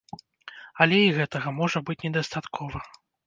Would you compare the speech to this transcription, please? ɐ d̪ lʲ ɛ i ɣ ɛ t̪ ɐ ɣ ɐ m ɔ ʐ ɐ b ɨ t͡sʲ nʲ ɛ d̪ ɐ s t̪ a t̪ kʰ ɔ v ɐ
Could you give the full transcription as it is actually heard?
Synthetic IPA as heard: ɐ lʲ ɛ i ɣ ɛ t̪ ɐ ɣ ɐ m ɔ ʐ ɐ b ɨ t͡sʲ nʲ ɛ d̪ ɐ s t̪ a t̪ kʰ ɔ v ɐ